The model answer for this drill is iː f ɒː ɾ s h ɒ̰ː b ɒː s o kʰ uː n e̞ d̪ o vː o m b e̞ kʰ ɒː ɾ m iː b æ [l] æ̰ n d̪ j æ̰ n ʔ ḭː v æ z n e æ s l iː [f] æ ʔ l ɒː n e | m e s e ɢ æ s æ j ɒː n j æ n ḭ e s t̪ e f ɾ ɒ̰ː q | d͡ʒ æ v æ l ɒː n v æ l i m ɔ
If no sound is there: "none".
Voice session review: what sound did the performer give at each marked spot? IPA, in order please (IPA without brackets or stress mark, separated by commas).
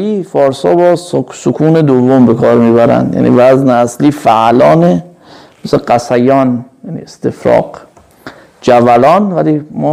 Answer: ɾ, f